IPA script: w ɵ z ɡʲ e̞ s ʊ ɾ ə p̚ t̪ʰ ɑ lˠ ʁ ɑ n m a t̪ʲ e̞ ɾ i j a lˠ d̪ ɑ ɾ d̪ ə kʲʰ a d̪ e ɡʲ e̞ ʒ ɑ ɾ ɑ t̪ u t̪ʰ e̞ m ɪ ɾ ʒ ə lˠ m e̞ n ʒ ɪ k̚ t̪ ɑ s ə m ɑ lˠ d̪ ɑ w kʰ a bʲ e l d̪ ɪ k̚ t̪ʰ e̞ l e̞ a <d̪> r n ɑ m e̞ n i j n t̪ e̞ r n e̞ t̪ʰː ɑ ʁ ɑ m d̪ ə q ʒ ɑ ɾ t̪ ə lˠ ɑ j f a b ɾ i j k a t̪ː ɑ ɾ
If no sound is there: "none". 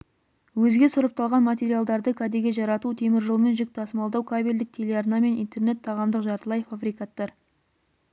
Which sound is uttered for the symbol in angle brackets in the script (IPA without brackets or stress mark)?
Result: none